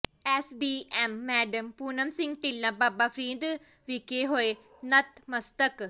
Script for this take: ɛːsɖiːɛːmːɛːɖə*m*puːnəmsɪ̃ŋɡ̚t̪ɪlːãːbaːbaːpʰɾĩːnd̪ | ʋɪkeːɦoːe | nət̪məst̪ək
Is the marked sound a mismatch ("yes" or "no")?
no